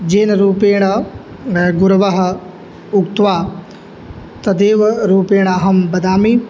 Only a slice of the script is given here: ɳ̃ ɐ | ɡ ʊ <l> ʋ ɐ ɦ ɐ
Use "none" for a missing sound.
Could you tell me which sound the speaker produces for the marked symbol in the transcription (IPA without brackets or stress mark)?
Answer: ɾ